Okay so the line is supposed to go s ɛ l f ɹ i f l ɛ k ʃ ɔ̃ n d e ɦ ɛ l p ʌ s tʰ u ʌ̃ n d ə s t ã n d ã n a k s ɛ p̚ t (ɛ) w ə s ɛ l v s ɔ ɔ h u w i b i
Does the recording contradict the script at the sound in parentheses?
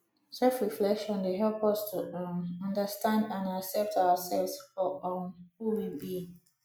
yes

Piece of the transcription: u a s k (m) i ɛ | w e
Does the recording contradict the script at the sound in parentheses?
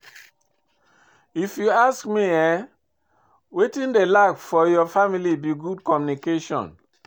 no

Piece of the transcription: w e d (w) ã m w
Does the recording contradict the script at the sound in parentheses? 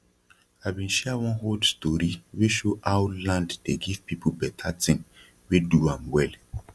yes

